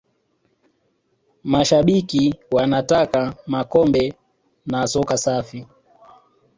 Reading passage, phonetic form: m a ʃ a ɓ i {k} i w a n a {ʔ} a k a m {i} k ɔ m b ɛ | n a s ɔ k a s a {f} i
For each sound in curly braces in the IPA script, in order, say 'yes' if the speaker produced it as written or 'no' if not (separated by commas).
yes, no, no, yes